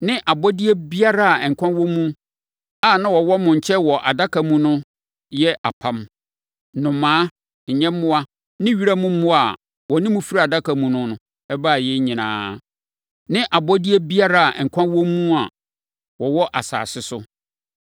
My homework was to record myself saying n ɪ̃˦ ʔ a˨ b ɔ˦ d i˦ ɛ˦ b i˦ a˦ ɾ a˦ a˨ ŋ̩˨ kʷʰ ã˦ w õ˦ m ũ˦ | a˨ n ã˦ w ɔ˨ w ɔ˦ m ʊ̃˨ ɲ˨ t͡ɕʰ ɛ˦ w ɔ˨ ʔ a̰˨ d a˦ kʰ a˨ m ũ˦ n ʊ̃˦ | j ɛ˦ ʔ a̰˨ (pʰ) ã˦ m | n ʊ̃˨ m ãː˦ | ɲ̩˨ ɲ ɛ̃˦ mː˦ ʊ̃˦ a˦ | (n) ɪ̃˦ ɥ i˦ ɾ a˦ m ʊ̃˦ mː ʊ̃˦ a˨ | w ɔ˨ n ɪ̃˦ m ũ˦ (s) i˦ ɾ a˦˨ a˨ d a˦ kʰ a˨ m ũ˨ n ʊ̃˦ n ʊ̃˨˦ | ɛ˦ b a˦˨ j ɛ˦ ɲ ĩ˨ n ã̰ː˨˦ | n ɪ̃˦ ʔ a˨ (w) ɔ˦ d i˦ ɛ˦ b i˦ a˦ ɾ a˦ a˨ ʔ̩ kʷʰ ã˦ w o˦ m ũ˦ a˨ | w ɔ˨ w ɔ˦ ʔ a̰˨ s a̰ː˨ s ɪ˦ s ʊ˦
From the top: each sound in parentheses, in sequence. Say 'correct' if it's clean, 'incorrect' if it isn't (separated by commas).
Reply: correct, correct, incorrect, incorrect